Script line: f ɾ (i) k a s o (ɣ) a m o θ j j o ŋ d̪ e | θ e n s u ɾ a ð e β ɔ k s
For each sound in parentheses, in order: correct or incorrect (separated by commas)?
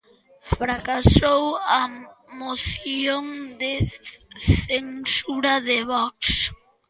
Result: incorrect, incorrect